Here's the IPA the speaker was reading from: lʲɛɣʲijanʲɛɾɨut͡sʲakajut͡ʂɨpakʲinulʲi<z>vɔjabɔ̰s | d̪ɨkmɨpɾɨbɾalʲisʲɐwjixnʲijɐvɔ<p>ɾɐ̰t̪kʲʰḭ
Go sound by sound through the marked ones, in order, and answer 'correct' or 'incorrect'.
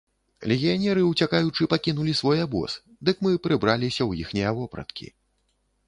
incorrect: s, correct

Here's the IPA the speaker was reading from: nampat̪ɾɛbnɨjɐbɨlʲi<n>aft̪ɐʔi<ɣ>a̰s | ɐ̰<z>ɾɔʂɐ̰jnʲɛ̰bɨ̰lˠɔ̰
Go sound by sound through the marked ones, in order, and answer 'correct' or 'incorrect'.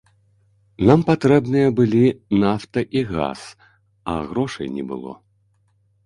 correct, correct, incorrect: ɣ

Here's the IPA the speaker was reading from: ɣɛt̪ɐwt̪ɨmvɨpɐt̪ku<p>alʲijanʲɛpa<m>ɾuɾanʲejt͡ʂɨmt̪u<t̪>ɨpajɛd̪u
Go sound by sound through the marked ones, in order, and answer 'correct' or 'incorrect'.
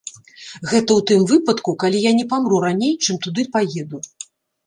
incorrect: k, correct, incorrect: d̪

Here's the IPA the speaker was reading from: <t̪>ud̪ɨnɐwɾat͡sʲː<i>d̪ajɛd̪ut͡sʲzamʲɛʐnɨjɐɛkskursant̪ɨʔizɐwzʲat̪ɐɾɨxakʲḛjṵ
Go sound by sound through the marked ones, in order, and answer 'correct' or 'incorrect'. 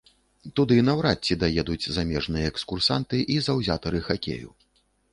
correct, correct

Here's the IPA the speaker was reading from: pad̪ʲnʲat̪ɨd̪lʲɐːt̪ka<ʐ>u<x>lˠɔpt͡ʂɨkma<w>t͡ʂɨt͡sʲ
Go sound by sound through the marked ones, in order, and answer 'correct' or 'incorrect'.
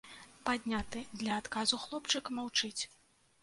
incorrect: z, correct, correct

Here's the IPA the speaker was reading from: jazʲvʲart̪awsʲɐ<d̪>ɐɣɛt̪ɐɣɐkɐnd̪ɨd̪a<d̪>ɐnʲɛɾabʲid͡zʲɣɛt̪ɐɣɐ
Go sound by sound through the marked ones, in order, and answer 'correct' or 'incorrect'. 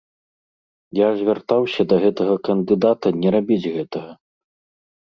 correct, incorrect: t̪

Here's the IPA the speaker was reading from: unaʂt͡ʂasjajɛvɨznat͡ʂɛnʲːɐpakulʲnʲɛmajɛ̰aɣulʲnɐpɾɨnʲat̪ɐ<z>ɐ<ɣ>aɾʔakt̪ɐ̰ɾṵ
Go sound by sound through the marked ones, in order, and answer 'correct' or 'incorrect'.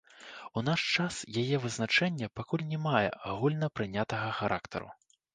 incorrect: ɣ, incorrect: x

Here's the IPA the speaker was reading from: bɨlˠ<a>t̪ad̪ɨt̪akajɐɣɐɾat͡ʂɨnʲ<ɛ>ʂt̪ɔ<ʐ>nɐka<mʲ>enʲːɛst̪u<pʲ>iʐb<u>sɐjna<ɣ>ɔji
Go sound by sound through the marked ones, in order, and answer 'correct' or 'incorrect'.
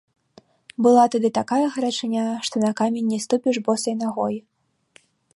correct, incorrect: a, incorrect: none, correct, correct, incorrect: ɔ, correct

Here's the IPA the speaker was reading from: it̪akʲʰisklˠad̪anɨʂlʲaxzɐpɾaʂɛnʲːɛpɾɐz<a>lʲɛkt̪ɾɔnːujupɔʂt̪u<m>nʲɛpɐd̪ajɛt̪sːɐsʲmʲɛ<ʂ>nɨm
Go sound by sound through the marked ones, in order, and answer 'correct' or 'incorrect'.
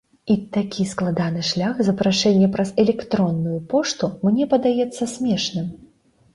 incorrect: ɛ, correct, correct

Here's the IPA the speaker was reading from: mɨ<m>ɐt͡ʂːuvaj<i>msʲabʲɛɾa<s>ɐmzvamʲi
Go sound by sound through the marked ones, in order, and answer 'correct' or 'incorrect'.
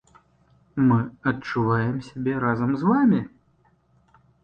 incorrect: none, incorrect: ɛ, incorrect: z

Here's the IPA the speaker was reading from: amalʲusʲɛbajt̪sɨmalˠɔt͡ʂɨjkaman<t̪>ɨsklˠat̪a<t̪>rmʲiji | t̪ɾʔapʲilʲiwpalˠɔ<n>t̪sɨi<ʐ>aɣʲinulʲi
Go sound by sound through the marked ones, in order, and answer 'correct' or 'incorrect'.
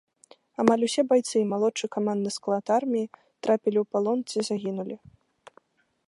incorrect: d̪, incorrect: none, correct, incorrect: z

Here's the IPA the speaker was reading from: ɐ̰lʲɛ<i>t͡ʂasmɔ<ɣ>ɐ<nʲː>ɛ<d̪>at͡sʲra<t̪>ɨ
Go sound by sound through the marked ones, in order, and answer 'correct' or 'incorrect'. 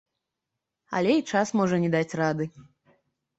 correct, incorrect: ʐ, incorrect: nʲ, correct, incorrect: d̪

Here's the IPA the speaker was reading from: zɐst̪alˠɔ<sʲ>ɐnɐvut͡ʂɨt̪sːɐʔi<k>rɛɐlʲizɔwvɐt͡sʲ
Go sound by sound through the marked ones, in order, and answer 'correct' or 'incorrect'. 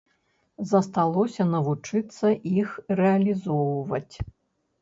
correct, incorrect: x

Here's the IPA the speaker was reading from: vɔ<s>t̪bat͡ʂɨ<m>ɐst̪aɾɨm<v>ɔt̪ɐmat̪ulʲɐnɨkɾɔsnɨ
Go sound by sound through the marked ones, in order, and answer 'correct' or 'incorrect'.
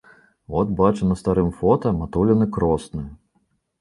incorrect: none, incorrect: n, incorrect: f

